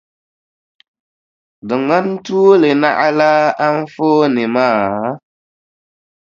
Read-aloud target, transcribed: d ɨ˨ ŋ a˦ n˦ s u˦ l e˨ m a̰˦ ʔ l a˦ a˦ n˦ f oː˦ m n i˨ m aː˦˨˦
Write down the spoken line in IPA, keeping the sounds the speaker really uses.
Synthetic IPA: d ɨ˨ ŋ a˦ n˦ t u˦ l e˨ n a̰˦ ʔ l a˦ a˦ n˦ f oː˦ n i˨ m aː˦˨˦

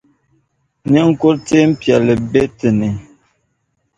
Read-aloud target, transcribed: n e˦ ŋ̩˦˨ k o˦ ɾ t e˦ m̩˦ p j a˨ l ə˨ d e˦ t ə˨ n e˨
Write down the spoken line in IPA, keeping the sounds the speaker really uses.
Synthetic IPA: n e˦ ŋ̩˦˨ k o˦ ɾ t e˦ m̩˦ p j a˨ l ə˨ b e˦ t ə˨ n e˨

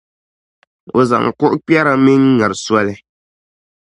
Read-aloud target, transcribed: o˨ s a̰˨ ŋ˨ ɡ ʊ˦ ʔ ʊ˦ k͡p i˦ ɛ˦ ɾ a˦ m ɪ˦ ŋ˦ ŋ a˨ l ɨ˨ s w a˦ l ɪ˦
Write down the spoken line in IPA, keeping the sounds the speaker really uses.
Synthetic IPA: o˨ z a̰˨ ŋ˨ k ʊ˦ ʔ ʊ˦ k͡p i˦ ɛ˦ ɾ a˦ m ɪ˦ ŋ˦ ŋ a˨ ɾ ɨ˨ s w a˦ l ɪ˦

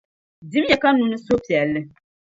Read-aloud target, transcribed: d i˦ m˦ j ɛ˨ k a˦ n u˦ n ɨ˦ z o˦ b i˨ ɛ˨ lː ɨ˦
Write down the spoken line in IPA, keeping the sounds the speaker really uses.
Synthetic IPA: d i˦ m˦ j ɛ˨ k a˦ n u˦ n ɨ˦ s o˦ p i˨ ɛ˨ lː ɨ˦

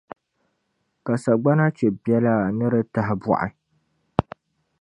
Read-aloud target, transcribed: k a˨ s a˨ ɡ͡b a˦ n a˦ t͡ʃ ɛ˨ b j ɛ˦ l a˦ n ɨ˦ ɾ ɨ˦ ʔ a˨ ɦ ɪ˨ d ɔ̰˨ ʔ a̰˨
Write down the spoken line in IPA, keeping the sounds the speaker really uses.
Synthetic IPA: k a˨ s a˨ ɡ͡b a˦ n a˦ t͡ʃ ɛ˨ b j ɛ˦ l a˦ n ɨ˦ ɾ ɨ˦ t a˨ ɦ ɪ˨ b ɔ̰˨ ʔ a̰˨

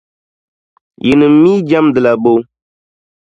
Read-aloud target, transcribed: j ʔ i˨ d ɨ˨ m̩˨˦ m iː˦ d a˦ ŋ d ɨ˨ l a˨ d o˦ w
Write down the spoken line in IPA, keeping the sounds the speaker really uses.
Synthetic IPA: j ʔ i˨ n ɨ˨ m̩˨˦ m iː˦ d͡ʒ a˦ m d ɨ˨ l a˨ b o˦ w

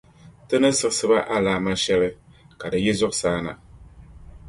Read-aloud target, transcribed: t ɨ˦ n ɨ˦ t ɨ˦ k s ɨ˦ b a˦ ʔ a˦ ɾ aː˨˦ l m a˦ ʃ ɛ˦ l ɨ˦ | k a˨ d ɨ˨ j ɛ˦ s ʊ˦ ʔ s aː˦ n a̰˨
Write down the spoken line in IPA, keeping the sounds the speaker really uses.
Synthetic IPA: t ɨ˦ n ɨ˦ s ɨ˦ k s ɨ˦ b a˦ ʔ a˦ l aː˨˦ m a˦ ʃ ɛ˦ l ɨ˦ | k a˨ d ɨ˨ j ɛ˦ z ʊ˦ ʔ s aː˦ n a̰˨

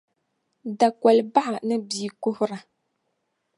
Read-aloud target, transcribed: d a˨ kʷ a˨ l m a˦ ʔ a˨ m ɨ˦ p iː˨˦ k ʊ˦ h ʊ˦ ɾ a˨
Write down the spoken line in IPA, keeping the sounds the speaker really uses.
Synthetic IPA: d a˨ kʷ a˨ l b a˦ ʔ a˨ n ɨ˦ b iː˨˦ k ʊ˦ h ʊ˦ ɾ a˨

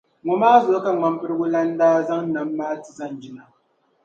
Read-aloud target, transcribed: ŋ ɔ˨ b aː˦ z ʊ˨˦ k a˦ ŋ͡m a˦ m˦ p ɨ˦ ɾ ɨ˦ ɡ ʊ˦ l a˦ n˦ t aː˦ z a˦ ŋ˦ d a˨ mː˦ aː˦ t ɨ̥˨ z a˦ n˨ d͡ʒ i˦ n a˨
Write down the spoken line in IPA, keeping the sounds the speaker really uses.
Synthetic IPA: ŋ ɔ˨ m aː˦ z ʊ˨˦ k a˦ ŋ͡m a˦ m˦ p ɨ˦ ɾ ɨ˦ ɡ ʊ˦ l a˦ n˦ d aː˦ z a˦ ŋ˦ n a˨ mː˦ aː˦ t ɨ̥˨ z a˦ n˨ d͡ʒ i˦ n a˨

